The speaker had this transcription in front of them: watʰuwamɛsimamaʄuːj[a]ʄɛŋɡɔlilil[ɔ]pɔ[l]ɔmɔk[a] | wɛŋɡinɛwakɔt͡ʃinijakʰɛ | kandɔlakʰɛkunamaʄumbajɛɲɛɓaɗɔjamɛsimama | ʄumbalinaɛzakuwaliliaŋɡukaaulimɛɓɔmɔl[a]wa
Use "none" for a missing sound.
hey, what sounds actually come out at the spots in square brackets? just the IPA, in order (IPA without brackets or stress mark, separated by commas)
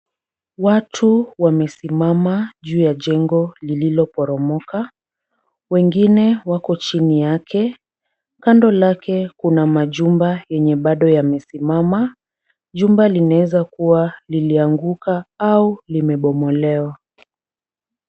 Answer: a, ɔ, ɾ, a, ɛ